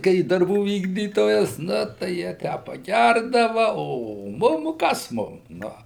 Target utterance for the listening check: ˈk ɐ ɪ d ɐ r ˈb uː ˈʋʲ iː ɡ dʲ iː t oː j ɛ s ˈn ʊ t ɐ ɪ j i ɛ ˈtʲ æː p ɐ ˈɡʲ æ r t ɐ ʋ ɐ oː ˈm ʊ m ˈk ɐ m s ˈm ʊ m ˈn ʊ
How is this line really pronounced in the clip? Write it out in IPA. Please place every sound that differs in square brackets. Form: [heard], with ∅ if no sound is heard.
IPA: ˈk ɐ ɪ d ɐ r ˈb uː ˈʋʲ iː ɡ dʲ iː t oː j ɛ s ˈn ʊ t ɐ ɪ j i ɛ ˈtʲ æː p ɐ ˈɡʲ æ r [d] ɐ ʋ ɐ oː ˈm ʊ m ˈk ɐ [∅] s ˈm ʊ m ˈn ʊ